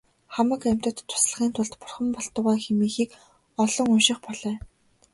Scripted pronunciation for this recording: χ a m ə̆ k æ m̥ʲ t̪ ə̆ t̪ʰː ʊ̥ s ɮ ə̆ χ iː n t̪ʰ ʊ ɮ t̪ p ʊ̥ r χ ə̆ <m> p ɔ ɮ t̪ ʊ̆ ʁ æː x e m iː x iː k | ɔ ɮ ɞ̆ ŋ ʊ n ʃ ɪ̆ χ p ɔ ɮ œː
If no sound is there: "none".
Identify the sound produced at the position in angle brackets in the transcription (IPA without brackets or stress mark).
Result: m